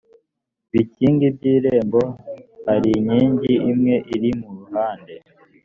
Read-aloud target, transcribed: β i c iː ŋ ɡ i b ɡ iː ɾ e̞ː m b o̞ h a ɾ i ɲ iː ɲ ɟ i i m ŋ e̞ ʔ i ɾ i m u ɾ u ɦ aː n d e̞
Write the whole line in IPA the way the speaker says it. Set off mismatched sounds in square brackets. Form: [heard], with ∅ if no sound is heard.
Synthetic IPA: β i c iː ŋ ɡ i b [ɟ] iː ɾ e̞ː m b o̞ h a ɾ i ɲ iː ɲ ɟ i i m ŋ e̞ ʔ i ɾ i m u ɾ u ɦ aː n d e̞